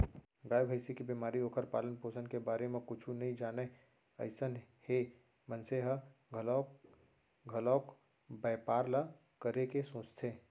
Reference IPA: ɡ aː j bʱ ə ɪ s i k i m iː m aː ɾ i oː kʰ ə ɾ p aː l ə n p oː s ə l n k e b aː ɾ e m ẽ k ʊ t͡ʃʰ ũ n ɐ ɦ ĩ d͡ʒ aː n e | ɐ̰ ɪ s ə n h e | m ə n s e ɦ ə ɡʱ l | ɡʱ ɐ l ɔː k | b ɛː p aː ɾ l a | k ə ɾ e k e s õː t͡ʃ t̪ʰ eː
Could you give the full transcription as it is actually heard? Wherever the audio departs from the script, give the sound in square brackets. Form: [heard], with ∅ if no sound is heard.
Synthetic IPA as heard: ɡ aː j bʱ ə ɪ s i k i [b] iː m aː ɾ i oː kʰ ə ɾ p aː l ə n p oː s ə [∅] n k e b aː ɾ e m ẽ k ʊ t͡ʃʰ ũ n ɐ ɦ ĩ d͡ʒ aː n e | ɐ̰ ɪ s ə n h e | m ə n s e ɦ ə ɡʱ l | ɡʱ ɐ l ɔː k | b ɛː p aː ɾ l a | k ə ɾ e k e s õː t͡ʃ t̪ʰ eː